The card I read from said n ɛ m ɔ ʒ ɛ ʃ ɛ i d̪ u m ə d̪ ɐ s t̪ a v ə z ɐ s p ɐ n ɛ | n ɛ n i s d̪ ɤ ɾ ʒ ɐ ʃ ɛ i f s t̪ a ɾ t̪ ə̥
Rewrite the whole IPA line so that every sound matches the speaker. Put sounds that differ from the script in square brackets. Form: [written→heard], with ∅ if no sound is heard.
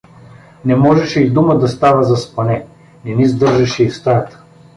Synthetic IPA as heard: n ɛ m ɔ ʒ ɛ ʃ ɛ i d̪ u m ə d̪ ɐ s t̪ a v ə z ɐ s p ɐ n ɛ | n ɛ n i [s→z] d̪ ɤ ɾ ʒ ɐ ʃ ɛ i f s t̪ a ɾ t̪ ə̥